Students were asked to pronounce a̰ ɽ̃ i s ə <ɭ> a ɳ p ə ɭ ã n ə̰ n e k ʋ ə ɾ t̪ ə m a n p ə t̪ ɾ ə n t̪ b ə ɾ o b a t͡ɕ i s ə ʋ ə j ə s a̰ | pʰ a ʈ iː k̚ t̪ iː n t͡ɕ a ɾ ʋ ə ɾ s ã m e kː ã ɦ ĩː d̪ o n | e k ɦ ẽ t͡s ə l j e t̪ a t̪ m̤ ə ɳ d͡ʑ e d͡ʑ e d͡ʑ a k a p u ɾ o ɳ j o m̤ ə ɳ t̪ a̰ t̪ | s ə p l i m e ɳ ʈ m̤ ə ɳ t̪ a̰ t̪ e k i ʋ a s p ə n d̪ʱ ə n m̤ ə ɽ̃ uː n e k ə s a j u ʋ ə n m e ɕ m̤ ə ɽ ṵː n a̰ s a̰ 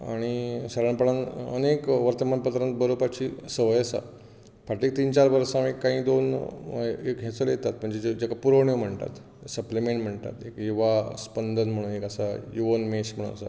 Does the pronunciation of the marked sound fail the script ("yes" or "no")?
yes